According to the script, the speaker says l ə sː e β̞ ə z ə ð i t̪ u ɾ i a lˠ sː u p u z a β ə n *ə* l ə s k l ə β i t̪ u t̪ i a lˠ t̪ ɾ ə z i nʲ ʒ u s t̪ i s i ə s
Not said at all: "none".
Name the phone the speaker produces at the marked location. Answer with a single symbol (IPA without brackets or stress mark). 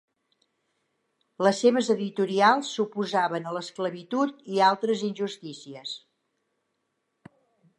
ə